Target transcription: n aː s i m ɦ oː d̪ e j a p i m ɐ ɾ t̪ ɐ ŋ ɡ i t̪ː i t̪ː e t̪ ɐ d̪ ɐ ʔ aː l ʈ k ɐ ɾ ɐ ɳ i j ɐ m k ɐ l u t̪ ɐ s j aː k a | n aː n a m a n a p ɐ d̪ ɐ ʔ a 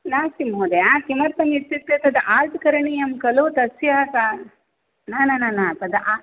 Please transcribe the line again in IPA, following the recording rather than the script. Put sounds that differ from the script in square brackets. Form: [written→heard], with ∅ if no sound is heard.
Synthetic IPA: n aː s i m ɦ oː d̪ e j a [p→k] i m ɐ ɾ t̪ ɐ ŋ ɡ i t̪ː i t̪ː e t̪ ɐ d̪ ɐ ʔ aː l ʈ k ɐ ɾ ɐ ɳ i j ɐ m k ɐ l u t̪ ɐ s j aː k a | n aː n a [m→n] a n a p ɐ d̪ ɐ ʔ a